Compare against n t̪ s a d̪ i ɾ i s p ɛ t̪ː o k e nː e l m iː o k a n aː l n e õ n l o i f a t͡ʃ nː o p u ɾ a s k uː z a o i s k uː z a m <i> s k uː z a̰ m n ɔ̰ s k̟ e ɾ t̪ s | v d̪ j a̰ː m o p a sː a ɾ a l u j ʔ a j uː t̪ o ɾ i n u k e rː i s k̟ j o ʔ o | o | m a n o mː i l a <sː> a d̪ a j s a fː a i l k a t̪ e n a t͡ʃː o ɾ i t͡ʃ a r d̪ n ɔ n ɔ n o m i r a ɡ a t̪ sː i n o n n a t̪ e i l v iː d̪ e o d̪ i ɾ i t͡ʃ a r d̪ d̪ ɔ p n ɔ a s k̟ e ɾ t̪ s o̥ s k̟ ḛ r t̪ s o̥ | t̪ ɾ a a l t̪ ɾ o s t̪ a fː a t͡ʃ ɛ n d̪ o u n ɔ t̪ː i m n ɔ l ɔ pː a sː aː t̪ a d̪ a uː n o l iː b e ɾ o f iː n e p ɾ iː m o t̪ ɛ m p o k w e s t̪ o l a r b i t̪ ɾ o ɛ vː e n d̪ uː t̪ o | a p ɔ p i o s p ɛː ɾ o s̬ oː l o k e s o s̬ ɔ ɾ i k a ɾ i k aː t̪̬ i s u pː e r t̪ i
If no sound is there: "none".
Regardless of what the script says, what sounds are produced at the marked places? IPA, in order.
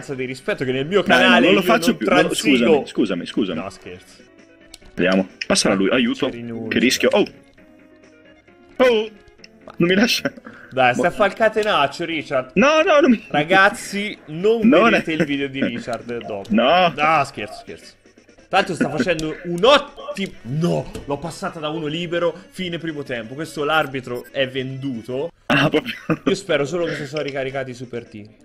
i, ʃː

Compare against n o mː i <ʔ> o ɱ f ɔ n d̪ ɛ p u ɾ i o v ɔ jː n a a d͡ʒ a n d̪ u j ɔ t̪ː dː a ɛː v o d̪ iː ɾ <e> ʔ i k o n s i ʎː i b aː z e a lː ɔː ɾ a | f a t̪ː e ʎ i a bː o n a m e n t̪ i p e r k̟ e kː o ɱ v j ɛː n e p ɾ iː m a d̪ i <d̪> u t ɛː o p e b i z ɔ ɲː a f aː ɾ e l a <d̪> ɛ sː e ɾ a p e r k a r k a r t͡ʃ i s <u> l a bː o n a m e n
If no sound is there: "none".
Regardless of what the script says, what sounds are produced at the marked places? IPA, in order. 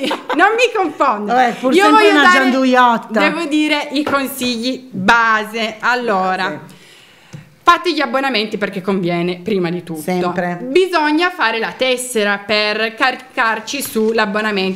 k, e, t̪, t̪, u

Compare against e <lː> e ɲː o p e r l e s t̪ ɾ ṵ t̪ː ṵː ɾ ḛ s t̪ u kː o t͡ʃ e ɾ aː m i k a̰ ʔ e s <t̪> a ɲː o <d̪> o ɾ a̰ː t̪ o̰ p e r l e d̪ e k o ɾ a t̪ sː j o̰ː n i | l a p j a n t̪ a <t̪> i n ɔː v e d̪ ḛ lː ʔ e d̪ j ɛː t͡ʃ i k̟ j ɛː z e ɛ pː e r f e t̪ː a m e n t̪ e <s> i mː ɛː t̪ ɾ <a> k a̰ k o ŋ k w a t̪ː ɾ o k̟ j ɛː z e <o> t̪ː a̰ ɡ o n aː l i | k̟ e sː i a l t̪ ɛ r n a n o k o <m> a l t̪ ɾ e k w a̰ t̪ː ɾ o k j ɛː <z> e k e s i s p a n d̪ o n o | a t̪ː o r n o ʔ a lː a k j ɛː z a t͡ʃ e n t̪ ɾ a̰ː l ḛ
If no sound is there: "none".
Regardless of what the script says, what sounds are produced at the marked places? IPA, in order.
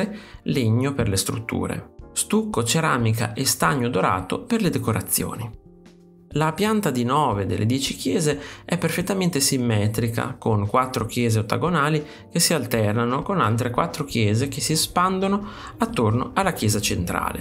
l, t̪, d̪, d̪, s, i, o, n, z

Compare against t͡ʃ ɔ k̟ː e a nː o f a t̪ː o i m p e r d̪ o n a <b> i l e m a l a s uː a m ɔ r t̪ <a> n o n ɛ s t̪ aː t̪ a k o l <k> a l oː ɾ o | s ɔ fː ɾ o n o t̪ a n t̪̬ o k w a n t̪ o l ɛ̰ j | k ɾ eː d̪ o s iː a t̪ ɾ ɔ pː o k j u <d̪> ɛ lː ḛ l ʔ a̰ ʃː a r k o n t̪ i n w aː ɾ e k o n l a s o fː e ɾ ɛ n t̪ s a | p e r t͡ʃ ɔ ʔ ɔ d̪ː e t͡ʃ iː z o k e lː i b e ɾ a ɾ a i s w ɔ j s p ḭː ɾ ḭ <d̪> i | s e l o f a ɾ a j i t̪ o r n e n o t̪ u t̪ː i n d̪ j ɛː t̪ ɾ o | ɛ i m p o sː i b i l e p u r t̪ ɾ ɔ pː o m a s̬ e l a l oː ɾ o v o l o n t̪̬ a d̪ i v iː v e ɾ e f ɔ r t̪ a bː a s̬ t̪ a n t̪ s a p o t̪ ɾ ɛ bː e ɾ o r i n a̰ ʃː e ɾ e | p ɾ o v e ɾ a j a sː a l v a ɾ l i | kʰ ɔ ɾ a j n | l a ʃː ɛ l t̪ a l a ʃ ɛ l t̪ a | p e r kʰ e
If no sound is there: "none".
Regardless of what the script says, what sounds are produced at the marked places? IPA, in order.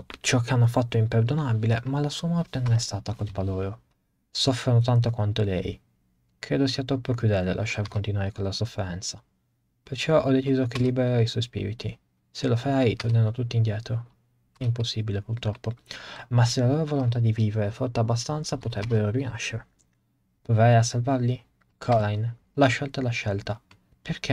b, e, p, d̪, t̪

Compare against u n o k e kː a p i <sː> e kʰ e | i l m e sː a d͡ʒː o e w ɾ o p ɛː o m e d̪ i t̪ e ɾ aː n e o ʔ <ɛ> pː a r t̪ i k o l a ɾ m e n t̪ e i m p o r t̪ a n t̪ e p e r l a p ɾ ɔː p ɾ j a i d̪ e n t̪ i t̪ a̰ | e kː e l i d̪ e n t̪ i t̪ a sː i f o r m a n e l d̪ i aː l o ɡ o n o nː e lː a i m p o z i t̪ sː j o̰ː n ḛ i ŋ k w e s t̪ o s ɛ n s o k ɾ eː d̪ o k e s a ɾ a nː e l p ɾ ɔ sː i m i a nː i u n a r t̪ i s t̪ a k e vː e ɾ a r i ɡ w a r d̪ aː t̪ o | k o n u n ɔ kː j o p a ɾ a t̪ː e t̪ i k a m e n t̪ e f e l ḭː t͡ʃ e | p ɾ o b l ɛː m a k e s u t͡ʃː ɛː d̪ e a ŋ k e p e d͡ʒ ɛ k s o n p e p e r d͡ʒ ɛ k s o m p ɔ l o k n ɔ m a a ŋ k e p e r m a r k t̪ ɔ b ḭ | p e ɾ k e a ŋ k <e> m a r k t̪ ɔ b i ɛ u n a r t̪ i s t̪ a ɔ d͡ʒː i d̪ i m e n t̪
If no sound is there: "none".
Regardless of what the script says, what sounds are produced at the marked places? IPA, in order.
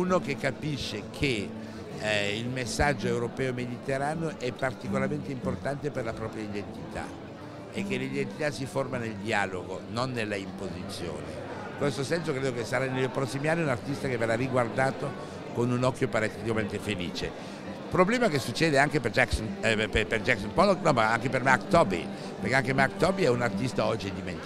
ʃː, ɛ, e

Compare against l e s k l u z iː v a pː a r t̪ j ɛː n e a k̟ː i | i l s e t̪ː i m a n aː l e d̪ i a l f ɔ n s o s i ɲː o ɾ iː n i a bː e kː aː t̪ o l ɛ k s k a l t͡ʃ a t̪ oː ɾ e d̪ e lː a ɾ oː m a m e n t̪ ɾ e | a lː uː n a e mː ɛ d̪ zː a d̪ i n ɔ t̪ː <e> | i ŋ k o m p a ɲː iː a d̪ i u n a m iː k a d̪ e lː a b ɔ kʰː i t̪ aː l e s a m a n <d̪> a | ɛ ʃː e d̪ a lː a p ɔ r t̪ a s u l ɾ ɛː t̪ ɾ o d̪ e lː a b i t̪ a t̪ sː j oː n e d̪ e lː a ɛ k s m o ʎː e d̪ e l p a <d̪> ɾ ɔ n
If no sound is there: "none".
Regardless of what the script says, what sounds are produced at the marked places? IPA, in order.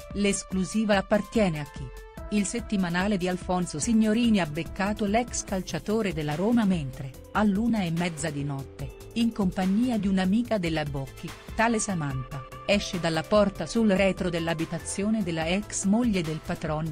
e, t̪, t̪

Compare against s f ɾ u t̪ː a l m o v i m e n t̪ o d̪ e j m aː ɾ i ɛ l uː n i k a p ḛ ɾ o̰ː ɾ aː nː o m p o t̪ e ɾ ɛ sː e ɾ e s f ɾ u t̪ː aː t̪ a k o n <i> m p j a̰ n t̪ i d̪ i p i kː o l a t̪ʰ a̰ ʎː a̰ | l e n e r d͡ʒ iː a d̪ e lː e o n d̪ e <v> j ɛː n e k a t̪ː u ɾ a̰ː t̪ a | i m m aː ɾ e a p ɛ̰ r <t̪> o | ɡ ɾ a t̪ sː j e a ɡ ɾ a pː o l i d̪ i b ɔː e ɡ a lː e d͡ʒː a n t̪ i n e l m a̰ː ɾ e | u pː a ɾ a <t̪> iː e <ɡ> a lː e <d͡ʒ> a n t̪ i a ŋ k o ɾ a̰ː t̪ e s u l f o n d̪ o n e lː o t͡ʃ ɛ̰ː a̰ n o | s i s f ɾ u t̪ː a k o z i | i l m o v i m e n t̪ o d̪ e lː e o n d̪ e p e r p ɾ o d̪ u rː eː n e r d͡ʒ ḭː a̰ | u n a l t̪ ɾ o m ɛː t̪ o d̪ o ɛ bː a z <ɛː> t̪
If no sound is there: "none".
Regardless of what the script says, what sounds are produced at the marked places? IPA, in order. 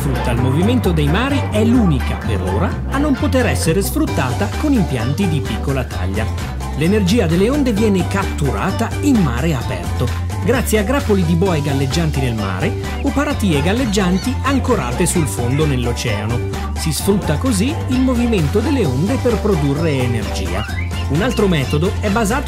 i, v, t̪, t̪, ɡ, d͡ʒː, aː

